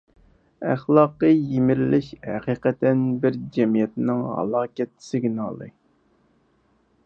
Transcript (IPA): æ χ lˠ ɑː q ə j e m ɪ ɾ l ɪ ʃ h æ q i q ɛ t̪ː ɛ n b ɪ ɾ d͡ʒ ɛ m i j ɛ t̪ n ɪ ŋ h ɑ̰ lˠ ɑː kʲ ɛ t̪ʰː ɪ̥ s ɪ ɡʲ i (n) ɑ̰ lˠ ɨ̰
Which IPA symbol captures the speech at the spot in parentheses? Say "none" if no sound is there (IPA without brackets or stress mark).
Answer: n